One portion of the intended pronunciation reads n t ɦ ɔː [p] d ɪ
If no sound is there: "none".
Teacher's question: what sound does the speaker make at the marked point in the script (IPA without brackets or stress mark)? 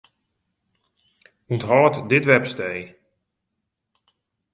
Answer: t